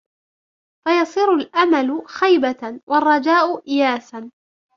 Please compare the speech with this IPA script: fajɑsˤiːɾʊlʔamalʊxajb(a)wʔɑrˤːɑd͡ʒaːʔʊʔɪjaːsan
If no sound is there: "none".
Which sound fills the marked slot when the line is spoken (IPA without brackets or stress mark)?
a